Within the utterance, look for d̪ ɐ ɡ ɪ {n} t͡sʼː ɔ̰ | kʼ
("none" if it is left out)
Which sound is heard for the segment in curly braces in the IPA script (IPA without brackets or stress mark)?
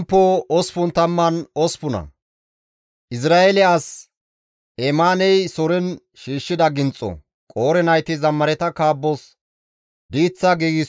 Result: n